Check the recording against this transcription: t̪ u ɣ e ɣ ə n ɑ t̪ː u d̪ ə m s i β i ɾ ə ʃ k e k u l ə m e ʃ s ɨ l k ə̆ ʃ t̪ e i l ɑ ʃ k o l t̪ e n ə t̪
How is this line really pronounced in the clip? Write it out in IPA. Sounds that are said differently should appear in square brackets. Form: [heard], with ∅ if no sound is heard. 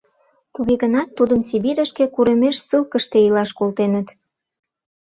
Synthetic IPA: t̪ u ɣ e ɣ ə n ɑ t̪ː u d̪ ə m s i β i ɾ ə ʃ k e k u [ɾ] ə m e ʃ s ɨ l k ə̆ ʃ t̪ e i l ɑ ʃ k o l t̪ e n ə t̪

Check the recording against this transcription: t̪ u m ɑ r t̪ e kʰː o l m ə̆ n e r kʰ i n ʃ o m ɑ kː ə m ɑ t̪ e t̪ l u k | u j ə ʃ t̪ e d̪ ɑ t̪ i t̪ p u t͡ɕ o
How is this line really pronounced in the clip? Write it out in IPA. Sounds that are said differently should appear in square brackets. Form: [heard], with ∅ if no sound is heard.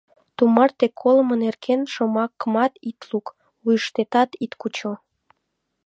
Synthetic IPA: t̪ u m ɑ r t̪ e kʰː o l m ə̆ n e r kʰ [e] n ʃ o m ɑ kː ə m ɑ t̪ [i] t̪ l u k | u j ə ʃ t̪ e [t̪] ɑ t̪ i t̪ [k] u t͡ɕ o

